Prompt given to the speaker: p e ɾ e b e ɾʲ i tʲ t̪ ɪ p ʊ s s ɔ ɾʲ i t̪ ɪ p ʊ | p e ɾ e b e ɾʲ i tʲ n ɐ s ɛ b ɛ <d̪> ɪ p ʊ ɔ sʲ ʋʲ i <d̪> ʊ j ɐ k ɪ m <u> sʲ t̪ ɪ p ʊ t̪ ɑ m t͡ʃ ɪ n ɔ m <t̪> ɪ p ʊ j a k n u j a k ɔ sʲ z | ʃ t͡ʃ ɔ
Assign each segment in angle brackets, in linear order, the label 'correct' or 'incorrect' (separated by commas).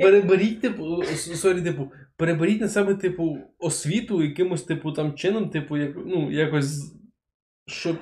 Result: incorrect, incorrect, incorrect, correct